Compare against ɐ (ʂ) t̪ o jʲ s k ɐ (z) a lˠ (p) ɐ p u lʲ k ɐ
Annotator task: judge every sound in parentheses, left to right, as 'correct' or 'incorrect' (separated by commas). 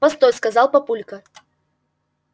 incorrect, correct, correct